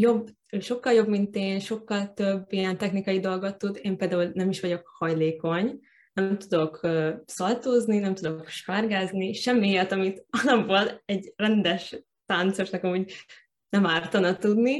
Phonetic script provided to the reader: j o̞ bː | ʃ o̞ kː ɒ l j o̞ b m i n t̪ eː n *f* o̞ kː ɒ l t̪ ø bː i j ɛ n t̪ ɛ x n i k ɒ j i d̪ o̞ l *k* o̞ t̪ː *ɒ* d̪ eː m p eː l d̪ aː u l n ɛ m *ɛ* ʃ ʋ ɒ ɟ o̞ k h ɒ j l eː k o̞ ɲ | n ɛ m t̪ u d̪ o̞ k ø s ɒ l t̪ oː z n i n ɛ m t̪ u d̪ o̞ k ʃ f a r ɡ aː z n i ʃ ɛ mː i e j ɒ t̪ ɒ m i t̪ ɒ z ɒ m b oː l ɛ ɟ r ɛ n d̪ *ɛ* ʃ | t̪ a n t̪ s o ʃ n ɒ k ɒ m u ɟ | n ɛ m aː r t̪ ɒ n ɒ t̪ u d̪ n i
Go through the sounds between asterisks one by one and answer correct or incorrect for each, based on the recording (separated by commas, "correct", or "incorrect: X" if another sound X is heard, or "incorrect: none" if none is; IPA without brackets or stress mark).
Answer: incorrect: ʃ, incorrect: ɡ, incorrect: u, incorrect: i, correct